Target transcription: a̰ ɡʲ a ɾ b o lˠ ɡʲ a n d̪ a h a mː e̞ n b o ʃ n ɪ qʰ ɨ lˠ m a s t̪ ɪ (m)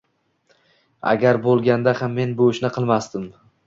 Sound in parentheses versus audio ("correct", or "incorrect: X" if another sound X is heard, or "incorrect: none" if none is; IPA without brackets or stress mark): correct